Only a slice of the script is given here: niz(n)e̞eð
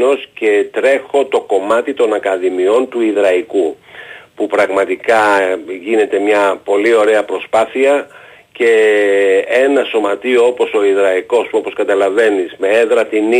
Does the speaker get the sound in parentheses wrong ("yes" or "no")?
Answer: yes